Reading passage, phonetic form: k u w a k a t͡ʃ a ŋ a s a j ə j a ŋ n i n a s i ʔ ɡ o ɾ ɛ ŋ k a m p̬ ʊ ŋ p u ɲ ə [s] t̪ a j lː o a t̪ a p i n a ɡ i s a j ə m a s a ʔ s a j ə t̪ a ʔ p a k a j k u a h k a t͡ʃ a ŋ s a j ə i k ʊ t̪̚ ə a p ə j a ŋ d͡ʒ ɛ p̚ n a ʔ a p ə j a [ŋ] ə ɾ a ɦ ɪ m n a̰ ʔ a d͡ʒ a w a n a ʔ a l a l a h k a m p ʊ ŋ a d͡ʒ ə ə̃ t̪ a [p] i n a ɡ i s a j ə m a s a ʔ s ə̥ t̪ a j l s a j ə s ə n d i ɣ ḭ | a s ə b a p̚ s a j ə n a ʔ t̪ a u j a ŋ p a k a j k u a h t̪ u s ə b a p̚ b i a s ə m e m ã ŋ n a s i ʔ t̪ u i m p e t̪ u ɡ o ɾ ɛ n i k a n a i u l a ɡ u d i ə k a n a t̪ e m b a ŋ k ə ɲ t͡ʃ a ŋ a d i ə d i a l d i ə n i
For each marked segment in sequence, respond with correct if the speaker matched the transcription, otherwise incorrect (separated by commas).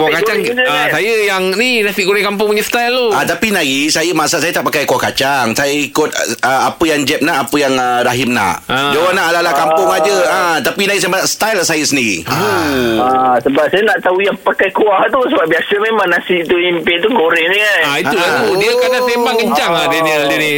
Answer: correct, correct, correct